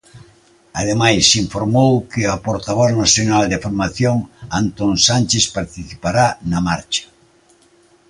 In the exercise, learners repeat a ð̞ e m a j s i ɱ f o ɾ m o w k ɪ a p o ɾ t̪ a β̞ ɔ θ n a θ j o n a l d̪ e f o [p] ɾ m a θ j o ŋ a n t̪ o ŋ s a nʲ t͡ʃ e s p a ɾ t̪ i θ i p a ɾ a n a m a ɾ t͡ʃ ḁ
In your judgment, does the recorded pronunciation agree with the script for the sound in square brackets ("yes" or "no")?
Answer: no